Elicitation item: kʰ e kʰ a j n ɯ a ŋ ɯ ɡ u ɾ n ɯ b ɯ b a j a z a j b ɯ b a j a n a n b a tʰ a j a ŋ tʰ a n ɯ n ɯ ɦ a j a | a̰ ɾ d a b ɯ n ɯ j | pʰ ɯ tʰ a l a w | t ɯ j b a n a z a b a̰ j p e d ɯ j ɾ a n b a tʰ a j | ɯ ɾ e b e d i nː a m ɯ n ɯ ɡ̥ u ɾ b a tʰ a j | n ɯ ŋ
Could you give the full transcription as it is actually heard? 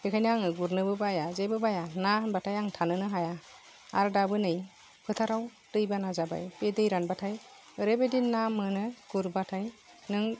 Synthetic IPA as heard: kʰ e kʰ a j n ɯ a ŋ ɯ ɡ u ɾ n ɯ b ɯ b a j a z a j b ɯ b a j a n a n b a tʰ a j a ŋ tʰ a n ɯ n ɯ ɦ a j a | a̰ ɾ d a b ɯ n ɯ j | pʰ ɯ tʰ a ɾ a w | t ɯ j b a n a z a b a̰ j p e d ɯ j ɾ a n b a tʰ a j | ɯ ɾ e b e d i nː a m ɯ n ɯ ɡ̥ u ɾ b a tʰ a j | n ɯ ŋ